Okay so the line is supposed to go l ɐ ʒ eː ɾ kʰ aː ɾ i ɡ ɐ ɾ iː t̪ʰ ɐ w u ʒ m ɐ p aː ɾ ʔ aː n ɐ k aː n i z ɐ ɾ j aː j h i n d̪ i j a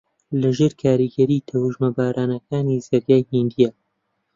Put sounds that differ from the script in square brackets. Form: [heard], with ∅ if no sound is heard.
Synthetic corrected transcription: l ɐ ʒ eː ɾ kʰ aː ɾ i ɡ ɐ ɾ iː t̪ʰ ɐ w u ʒ m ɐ [b] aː ɾ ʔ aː n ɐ k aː n i z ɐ ɾ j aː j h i n d̪ i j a